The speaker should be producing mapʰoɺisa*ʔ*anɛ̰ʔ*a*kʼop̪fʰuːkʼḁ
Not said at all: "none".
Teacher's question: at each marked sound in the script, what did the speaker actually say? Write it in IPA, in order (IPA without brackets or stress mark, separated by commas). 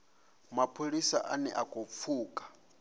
ʔ, a